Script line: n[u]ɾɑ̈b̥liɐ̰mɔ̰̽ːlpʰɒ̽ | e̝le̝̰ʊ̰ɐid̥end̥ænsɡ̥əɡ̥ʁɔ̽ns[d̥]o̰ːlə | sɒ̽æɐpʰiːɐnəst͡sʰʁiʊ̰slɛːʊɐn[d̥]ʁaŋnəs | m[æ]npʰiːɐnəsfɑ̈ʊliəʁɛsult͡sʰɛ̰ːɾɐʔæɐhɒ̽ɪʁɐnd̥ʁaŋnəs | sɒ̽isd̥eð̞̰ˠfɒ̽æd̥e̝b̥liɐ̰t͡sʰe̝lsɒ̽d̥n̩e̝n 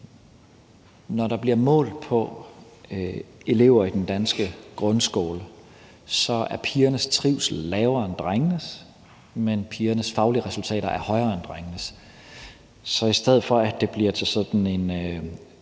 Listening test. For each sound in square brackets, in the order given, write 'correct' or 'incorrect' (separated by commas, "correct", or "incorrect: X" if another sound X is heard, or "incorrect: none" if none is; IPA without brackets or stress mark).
incorrect: ɒ, incorrect: ɡ̥, correct, incorrect: e